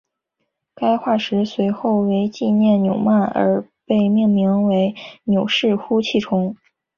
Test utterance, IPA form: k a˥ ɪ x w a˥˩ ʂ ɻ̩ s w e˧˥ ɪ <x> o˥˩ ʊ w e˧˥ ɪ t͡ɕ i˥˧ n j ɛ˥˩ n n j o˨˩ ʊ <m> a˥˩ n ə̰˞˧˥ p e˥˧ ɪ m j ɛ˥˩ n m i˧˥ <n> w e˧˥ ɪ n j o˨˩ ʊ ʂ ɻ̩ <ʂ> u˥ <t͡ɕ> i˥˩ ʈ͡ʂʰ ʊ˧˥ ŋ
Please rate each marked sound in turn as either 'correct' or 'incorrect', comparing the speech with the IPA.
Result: correct, correct, incorrect: ŋ, incorrect: x, incorrect: t͡ɕʰ

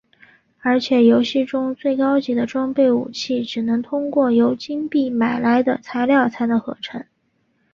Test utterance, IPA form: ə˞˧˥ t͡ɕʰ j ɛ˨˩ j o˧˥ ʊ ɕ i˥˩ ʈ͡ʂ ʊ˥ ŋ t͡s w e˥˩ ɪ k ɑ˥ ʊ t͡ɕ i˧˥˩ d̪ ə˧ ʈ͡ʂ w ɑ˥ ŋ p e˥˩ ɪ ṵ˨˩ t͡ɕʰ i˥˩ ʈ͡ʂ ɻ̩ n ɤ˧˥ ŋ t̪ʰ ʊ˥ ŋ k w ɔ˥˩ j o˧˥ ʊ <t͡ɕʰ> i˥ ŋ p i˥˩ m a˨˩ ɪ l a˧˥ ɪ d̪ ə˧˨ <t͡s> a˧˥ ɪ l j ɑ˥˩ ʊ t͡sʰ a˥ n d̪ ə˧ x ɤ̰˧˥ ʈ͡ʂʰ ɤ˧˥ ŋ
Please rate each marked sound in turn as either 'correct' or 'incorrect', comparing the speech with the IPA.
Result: incorrect: t͡ɕ, incorrect: t͡sʰ

